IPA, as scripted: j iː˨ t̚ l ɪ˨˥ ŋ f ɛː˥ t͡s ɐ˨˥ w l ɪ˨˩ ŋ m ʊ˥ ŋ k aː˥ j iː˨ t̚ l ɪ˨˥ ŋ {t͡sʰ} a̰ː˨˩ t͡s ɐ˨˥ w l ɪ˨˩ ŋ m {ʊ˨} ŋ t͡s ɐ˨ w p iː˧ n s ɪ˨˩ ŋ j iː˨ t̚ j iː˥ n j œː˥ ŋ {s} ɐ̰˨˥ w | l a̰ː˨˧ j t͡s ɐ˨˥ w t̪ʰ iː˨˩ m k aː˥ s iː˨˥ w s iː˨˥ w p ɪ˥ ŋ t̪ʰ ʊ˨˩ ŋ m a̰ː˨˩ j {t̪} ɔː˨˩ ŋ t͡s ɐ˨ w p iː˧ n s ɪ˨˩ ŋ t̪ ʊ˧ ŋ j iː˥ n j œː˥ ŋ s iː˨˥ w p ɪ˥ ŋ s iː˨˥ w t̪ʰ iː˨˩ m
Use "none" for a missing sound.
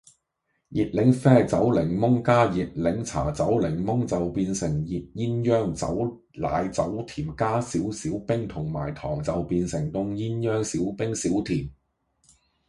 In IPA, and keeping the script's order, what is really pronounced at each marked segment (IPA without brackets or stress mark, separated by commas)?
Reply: t͡sʰ, ʊ˥, t͡s, t̪ʰ